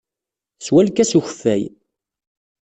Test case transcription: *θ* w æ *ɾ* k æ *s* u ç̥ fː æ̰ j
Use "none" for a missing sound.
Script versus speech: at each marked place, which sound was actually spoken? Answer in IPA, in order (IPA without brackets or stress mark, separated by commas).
s, l, s